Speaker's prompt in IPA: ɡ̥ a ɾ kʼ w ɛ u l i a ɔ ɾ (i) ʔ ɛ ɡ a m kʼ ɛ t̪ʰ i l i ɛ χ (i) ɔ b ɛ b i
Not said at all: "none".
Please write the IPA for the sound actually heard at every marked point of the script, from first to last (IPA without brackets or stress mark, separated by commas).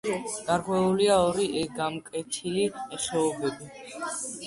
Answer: i, ɛ